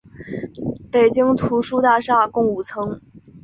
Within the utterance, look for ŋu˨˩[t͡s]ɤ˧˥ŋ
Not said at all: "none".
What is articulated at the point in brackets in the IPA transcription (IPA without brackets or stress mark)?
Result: t͡sʰ